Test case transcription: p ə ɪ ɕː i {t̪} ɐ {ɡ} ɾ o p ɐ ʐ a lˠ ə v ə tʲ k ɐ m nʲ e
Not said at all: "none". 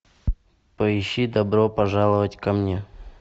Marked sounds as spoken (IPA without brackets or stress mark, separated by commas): d̪, b